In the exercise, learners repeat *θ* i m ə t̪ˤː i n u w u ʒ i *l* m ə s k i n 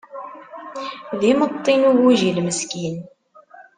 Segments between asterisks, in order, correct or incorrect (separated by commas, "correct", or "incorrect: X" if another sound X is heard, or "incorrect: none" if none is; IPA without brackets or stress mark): incorrect: ð, correct